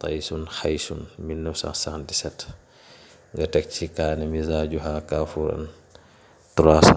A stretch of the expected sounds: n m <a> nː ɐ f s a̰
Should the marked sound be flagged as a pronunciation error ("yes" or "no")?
yes